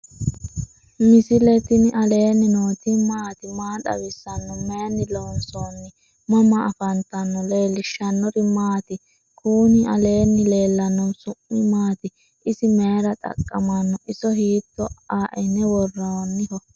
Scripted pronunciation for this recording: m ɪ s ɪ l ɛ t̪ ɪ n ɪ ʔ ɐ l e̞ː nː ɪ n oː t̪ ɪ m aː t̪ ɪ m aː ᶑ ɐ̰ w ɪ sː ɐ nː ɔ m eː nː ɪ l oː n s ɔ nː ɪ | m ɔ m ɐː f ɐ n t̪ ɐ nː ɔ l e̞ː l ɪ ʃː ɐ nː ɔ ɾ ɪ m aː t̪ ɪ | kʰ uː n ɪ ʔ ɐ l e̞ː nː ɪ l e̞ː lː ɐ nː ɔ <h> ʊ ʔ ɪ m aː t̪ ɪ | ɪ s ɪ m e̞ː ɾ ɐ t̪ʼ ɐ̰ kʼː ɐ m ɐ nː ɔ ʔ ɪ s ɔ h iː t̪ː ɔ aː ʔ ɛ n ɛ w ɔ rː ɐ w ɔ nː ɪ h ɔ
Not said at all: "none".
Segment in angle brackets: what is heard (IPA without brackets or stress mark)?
s